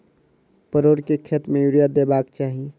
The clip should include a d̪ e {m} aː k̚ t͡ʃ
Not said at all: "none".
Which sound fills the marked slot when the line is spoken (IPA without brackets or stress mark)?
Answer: b